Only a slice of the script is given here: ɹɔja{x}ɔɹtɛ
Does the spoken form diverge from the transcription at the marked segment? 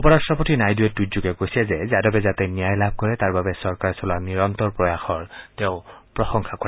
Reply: no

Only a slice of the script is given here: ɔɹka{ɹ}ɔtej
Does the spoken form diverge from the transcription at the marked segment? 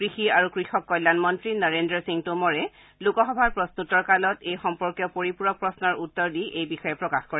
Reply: yes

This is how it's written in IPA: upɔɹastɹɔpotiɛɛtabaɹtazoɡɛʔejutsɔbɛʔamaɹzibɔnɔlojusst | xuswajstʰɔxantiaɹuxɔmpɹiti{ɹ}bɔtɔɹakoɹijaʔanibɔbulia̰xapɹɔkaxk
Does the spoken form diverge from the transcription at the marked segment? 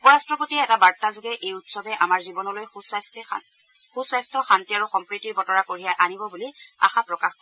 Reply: no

